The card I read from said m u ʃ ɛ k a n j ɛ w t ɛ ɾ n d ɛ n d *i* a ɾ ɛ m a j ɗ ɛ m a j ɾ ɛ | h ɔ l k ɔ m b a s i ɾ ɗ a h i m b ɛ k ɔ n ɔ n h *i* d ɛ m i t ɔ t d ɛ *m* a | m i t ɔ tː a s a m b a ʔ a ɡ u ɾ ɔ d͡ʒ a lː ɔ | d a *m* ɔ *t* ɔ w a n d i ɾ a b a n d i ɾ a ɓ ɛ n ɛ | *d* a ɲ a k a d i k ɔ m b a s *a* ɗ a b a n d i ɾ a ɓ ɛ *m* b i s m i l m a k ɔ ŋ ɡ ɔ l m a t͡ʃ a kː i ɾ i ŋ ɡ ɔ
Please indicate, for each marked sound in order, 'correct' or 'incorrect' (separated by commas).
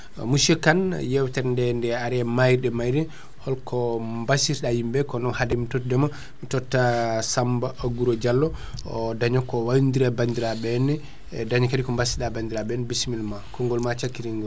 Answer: incorrect, incorrect, correct, incorrect, incorrect, correct, incorrect, incorrect